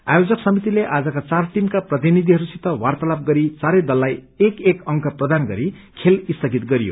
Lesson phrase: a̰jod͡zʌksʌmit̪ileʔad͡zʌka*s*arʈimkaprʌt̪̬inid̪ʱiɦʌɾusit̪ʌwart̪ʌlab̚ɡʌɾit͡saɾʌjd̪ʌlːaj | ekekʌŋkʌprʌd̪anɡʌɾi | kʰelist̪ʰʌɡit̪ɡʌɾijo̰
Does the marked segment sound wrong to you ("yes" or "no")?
yes